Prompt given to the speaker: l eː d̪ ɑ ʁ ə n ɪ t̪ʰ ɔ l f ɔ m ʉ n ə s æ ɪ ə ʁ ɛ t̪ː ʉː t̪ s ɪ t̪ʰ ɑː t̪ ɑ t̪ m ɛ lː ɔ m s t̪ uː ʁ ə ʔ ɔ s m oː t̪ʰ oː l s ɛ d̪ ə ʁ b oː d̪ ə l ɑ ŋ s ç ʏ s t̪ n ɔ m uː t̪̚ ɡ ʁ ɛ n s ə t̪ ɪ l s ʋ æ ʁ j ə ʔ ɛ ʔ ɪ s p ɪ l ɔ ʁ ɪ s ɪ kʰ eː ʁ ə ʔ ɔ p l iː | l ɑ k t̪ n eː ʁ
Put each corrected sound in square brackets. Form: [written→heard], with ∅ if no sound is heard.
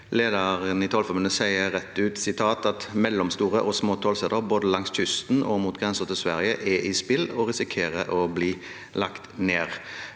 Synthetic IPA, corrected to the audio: l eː d̪ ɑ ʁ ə n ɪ t̪ʰ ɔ l f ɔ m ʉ n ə s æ ɪ ə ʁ ɛ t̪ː ʉː t̪ s ɪ t̪ʰ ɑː t̪ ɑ t̪ m ɛ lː ɔ m s t̪ uː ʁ ə ʔ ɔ s m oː t̪ʰ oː l s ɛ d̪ ə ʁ b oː d̪ ə l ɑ ŋ s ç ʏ s t̪ n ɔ m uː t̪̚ ɡ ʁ ɛ n s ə t̪ ɪ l s ʋ æ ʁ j ə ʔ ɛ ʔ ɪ s p ɪ l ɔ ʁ ɪ s ɪ kʰ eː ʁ ə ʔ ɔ [p→b] l iː | l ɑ k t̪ n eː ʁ